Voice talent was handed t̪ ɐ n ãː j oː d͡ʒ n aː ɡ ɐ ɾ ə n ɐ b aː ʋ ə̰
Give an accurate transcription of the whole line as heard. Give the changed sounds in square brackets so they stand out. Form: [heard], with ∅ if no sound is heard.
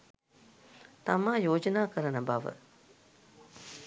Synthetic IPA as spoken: t̪ ɐ [m] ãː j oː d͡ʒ n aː [k] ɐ ɾ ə n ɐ b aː ʋ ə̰